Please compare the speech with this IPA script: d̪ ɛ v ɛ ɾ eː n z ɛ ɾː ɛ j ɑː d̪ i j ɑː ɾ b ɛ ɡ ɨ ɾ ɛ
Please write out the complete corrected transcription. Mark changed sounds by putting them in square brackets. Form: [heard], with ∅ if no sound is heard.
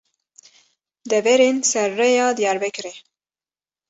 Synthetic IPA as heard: d̪ ɛ v ɛ ɾ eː n [s] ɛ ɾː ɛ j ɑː d̪ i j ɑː ɾ b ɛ [k] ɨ ɾ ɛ

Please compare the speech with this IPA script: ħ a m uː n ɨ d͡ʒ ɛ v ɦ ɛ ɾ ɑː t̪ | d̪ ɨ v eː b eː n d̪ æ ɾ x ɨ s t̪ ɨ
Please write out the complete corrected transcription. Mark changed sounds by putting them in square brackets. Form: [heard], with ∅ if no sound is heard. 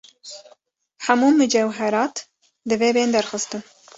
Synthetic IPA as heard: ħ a m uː [m] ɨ d͡ʒ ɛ [w] ɦ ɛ ɾ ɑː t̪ | d̪ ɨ v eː b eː n d̪ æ ɾ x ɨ s t̪ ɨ

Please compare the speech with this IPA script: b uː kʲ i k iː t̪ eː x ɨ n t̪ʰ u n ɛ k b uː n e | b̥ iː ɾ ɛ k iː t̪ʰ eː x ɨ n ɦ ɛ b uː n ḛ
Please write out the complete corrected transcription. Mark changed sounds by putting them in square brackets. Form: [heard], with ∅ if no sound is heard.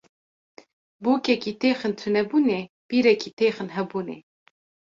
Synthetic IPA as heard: b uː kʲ [ɛ] k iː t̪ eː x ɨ n t̪ʰ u n ɛ [∅] b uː n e | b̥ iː ɾ ɛ k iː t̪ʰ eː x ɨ n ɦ ɛ b uː n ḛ

